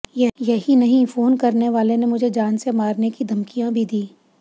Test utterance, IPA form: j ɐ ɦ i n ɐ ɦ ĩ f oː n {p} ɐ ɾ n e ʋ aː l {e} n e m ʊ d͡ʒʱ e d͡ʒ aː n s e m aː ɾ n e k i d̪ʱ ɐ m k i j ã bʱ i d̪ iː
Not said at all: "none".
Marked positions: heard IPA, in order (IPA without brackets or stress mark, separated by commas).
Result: k, e